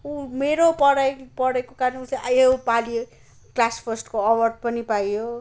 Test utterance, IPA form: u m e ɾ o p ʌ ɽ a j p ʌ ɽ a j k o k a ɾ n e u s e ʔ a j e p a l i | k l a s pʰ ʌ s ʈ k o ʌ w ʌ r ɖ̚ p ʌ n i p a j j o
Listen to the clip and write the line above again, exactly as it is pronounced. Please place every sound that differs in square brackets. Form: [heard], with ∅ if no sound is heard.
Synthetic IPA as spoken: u m e ɾ o p ʌ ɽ a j p ʌ ɽ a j k o k a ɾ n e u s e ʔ a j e p a l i | k l a s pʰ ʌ s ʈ k o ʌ w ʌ r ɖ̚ p ʌ n i p a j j o